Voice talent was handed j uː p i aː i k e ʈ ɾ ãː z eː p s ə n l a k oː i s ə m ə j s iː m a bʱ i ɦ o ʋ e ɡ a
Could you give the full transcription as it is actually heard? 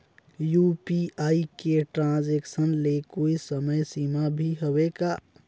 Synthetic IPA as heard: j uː p i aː i k e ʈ ɾ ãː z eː k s ə n l e k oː i s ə m ə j s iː m a bʱ i ɦ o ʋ e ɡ a

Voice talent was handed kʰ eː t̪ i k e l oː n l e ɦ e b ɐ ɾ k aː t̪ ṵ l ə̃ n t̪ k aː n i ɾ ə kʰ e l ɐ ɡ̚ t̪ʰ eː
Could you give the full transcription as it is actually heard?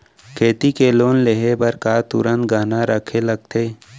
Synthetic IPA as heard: kʰ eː t̪ i k e l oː n l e ɦ e b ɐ ɾ k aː t̪ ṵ ɾ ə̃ n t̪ ɡ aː n a ɾ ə kʰ e l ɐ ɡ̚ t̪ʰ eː

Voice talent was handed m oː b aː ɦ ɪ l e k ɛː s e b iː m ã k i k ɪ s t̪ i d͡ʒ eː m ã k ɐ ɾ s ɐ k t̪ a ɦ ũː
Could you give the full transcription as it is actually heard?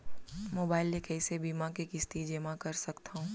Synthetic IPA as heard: m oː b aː ɪ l e k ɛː s e b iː m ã k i k ɪ s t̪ i d͡ʒ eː m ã k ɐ ɾ s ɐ k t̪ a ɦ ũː

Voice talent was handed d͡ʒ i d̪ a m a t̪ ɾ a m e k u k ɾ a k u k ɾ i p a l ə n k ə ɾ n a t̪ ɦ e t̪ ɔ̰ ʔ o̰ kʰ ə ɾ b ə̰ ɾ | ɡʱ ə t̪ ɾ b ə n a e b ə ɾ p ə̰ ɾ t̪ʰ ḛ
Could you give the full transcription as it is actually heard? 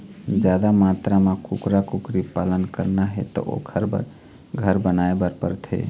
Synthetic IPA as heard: d͡ʒ a d̪ a m a t̪ ɾ a m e k u k ɾ a k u k ɾ i p a l ə n k ə ɾ n a ɦ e t̪ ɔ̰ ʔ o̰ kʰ ə ɾ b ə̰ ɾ | ɡʱ ə ɾ b ə n a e b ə ɾ p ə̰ ɾ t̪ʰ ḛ

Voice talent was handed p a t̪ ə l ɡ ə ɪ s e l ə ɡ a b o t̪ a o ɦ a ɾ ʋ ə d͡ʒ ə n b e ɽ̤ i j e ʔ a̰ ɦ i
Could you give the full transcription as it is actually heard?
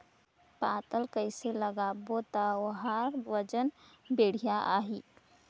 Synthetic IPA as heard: p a t̪ ə l k ə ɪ s e l ə ɡ a b o t̪ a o ɦ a ɾ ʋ ə d͡ʒ ə n b e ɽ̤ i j a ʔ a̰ ɦ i

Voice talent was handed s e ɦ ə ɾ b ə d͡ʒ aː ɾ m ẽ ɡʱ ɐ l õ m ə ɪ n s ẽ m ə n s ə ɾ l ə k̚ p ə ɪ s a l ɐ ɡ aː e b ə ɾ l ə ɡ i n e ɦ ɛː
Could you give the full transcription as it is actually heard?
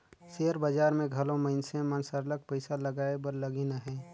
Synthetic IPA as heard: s e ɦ ə ɾ b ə d͡ʒ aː ɾ m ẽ ɡʱ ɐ l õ m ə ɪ n s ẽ m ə n s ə ɾ l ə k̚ p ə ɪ s a l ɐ ɡ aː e b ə ɾ l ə ɡ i n a ɦ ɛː

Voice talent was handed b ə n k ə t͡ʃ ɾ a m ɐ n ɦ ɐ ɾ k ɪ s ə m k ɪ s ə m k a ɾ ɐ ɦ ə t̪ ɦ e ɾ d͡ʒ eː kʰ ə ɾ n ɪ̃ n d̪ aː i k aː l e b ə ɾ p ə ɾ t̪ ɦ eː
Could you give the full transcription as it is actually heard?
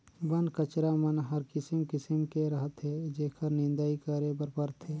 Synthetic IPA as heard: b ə n k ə t͡ʃ ɾ a m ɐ n ɦ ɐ ɾ k ɪ s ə m k ɪ s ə m k e ɾ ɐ ɦ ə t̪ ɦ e d͡ʒ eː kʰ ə ɾ n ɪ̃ n d̪ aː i k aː ɾ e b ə ɾ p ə ɾ t̪ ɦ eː

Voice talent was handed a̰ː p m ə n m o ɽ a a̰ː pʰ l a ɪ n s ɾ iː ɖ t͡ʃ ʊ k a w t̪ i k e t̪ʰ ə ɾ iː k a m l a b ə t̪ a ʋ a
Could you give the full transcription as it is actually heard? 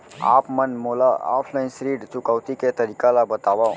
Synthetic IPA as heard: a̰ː p m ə n m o l a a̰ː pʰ l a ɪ n s ɾ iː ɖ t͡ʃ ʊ k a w t̪ i k e t̪ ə ɾ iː k a l a b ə t̪ a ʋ a

